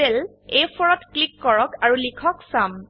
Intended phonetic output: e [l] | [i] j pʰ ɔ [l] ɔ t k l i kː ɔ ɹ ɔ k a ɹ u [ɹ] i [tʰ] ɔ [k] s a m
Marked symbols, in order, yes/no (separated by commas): yes, no, no, no, no, yes